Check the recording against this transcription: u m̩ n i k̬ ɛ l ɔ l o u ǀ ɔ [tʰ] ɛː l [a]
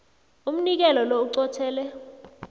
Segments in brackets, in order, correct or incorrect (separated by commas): correct, incorrect